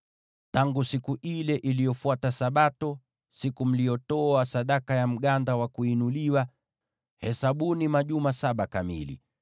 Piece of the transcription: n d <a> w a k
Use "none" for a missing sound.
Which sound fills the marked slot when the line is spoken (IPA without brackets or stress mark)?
a